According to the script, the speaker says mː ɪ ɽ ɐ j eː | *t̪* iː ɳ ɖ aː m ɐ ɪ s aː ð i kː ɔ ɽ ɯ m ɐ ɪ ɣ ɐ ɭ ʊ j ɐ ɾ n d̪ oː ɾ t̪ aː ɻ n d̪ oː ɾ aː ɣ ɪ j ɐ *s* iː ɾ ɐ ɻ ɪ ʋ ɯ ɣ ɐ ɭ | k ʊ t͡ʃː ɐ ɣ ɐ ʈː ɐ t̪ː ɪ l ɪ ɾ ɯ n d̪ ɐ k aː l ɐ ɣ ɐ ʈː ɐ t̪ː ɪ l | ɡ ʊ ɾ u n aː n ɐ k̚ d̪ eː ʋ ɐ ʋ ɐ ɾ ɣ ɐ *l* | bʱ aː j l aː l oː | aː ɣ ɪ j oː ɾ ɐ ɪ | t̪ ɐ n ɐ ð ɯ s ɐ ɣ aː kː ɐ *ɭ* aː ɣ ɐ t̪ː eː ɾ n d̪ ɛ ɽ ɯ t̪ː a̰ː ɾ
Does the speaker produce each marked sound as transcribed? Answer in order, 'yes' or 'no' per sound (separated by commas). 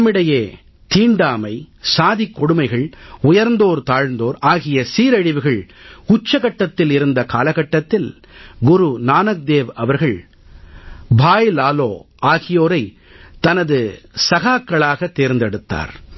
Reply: yes, yes, no, yes